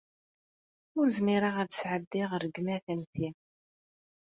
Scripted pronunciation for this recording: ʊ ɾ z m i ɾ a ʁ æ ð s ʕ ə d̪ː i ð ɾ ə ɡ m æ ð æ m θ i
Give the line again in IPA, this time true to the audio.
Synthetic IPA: ʊ ɾ z m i ɾ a ʁ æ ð s ʕ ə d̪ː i ʁ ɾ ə ɡ m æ θ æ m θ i